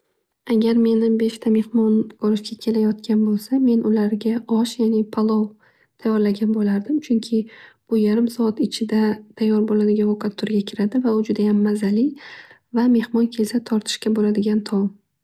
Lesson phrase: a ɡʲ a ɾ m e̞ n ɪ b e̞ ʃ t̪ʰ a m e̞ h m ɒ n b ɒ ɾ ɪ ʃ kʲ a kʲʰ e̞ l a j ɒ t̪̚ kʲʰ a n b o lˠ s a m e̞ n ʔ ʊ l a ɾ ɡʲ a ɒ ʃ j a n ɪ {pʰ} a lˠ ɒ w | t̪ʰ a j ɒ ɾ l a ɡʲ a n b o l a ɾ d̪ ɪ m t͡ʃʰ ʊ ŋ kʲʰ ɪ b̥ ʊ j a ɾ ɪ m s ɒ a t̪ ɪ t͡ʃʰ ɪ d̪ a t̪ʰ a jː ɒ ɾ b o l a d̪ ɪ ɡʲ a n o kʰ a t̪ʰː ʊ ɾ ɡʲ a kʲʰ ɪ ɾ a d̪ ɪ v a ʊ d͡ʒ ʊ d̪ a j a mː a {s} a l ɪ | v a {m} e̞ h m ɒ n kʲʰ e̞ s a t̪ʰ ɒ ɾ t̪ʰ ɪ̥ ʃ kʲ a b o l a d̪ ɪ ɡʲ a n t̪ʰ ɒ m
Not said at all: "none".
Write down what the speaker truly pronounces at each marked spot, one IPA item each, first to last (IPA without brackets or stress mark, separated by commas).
pʰ, z, m